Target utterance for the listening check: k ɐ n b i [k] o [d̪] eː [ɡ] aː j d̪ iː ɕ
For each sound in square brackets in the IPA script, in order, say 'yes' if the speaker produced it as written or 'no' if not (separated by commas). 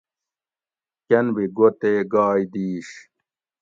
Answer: no, no, yes